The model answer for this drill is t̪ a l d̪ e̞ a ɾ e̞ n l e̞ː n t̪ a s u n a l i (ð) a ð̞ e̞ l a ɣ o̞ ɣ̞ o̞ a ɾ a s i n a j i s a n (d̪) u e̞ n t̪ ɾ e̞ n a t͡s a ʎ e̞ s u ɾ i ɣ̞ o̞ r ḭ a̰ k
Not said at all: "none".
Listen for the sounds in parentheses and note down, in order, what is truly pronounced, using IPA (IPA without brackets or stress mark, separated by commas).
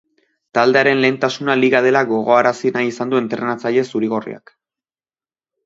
ɣ, d̪